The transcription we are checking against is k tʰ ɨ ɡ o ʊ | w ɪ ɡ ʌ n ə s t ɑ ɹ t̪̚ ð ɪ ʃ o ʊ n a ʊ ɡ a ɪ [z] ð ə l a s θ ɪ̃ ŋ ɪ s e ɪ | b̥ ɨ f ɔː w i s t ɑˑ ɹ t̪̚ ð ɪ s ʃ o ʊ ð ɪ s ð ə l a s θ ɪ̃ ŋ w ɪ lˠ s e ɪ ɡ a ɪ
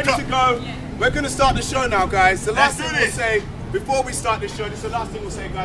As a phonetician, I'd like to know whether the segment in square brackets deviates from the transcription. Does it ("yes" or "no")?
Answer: no